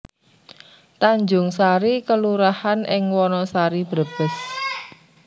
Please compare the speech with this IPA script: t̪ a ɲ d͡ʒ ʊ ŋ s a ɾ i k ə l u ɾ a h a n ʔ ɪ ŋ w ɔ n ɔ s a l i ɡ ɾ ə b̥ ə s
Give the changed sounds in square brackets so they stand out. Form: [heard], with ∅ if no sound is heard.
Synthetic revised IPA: t̪ a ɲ d͡ʒ ʊ ŋ s a ɾ i k ə l u ɾ a h a n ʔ ɪ ŋ w ɔ n ɔ s a [ɾ] i [b] ɾ ə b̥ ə s